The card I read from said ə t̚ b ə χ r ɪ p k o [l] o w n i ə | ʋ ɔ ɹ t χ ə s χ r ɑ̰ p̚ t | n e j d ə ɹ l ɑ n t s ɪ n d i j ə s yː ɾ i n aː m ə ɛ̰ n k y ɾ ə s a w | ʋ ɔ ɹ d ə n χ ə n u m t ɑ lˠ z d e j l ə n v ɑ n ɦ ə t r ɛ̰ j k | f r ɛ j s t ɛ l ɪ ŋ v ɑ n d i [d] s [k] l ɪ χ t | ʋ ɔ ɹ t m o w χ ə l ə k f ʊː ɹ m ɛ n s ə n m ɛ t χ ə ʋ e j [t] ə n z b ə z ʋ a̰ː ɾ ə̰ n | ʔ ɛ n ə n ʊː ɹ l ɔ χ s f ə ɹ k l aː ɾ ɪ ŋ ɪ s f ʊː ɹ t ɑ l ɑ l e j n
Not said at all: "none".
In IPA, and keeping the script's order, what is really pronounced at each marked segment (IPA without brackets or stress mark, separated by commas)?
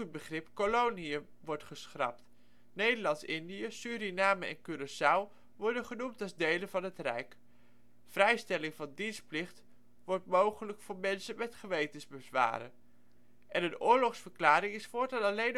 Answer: l, n, p, t